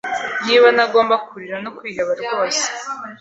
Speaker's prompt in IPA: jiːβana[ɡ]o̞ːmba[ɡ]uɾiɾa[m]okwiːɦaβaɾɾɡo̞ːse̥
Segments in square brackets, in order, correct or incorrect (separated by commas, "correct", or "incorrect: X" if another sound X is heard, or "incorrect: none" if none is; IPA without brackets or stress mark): correct, incorrect: k, incorrect: n